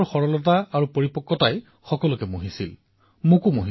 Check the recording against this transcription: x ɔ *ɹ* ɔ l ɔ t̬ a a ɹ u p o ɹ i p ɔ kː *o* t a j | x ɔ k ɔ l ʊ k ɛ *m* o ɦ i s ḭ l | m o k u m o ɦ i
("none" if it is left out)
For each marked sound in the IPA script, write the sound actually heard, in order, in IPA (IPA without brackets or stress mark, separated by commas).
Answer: ɹ, ɔ, m